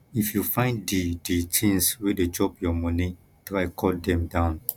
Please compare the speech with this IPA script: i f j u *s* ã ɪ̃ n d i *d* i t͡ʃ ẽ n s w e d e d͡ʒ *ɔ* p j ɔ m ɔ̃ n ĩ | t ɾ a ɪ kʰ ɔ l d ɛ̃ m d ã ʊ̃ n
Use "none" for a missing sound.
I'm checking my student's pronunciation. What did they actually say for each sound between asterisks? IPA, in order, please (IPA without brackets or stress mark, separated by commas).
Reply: f, d, ɔ